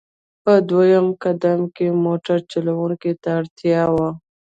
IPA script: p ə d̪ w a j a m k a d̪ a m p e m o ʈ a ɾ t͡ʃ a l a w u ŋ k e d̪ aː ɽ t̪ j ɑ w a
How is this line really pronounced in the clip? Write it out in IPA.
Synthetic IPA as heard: p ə d̪ w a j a m k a d̪ a m k e m o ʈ a ɾ t͡ʃ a l a w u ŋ k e t̪ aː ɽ t̪ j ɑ w a